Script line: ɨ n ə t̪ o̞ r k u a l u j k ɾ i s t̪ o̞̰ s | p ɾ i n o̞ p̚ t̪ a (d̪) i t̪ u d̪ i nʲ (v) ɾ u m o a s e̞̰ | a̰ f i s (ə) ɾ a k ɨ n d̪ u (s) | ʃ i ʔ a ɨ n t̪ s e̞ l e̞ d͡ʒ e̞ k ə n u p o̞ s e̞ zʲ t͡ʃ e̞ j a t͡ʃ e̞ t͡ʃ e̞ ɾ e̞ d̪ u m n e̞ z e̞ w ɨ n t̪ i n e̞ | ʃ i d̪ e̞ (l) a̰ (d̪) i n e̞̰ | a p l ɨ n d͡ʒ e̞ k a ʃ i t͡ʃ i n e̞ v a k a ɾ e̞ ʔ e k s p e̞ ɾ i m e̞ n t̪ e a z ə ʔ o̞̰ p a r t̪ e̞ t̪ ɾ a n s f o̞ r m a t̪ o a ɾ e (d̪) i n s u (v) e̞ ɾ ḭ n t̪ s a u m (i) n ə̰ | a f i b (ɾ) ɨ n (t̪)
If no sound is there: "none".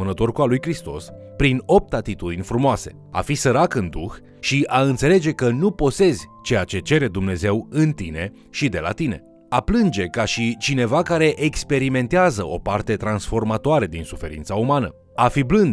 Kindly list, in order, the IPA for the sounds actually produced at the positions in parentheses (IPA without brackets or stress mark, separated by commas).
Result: t̪, f, ə, x, l, t̪, d̪, f, a, l, d̪